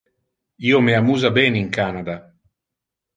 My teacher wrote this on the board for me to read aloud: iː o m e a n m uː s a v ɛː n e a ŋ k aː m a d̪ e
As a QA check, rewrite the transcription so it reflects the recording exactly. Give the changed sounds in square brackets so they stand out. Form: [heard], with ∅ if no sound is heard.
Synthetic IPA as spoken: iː o m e a [∅] m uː [z] a [b] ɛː n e [i] ŋ k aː [n] a d̪ [a]